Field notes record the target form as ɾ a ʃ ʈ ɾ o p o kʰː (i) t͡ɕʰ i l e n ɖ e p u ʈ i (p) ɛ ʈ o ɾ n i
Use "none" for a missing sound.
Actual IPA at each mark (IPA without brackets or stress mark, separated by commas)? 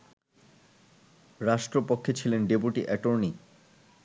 e, ʔ